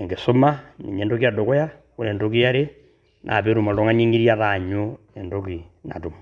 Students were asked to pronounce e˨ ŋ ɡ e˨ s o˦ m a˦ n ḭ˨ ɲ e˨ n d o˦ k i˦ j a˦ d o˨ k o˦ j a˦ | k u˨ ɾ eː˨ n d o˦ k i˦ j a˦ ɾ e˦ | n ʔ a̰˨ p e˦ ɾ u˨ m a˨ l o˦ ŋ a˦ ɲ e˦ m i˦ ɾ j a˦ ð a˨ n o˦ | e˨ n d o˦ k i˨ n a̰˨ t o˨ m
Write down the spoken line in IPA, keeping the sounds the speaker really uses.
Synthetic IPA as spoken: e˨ ŋ ɡ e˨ s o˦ m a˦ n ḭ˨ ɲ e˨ n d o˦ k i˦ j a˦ d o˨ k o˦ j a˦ | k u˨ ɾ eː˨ n d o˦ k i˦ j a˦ ɾ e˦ | n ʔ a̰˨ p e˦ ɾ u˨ m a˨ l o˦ ŋ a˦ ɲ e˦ ŋ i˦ ɾ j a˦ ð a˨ ɲ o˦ | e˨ n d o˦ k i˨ n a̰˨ t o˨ m

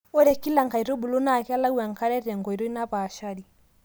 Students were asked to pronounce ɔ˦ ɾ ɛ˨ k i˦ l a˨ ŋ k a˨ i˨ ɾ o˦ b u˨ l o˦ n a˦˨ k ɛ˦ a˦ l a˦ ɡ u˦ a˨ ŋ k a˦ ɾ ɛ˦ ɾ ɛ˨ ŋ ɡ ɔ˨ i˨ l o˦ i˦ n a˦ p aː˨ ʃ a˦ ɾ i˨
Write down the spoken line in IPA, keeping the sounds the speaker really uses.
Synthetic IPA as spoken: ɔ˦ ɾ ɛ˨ k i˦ l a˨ ŋ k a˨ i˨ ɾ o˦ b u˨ l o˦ n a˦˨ k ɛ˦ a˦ l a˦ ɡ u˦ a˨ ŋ k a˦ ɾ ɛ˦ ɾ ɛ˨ ŋ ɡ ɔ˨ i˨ ɾ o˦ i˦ n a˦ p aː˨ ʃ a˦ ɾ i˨

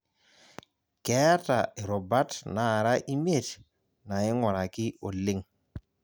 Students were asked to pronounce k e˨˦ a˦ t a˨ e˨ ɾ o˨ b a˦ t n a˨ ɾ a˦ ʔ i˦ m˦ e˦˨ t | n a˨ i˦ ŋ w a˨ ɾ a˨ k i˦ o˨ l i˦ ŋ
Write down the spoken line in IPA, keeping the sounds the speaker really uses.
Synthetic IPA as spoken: k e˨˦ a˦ t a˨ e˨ ɾ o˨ b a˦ t n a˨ ɾ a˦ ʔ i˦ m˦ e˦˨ t | n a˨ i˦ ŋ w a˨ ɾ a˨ k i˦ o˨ l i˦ ŋ

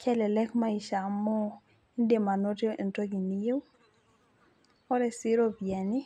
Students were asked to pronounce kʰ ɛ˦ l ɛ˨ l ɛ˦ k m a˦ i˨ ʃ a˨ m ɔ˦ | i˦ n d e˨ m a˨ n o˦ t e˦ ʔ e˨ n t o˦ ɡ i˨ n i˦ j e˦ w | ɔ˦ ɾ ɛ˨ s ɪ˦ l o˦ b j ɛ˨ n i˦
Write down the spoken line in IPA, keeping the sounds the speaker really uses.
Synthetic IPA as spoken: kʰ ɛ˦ l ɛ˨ l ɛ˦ k m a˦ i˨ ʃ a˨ m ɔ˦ | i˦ n d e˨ m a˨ n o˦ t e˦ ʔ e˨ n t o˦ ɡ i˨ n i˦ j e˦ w | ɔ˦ ɾ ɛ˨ s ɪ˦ ɾ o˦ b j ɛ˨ n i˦

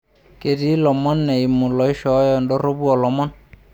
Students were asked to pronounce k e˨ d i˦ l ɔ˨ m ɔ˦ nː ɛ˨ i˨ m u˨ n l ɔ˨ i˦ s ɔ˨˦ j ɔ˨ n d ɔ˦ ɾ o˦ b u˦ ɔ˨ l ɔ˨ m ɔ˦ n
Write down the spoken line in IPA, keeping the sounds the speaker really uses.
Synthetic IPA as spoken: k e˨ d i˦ l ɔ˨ m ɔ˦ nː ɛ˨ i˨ m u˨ l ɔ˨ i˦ ʃ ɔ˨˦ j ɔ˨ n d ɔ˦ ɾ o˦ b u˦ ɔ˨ l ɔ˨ m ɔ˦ n

